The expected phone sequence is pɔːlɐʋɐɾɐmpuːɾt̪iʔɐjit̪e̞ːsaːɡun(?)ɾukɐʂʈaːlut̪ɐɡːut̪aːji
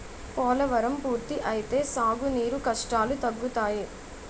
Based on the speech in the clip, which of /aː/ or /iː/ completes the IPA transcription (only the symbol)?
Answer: iː